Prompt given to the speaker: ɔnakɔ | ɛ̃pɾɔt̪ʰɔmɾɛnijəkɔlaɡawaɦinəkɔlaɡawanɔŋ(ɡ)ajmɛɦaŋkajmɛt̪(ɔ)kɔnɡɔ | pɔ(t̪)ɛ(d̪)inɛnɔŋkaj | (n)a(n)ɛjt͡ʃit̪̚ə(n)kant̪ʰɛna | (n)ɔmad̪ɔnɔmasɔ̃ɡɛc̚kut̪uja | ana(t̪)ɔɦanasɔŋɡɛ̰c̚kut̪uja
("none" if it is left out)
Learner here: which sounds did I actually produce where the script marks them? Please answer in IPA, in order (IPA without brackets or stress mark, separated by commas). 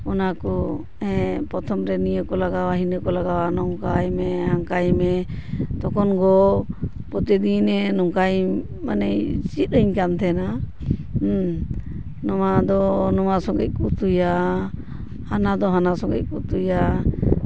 k, ɔ, t̪, d̪, m, n, ɲ, n, d̪